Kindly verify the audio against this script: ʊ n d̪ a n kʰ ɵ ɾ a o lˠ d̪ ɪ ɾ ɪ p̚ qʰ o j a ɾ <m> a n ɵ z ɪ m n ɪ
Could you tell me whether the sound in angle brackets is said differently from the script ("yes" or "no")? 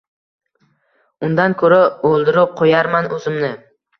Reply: no